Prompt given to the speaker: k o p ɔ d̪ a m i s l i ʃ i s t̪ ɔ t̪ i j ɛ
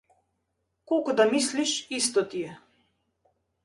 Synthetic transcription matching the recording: k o k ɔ d̪ a m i s l i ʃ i s t̪ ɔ t̪ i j ɛ